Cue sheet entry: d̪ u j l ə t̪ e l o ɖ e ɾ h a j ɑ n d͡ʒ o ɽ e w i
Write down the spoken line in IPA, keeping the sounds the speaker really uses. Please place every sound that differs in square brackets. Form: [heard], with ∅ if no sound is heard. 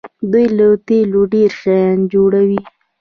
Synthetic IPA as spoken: d̪ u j l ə t̪ e l o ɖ e ɾ [ʃ] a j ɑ n d͡ʒ o ɽ [a] w i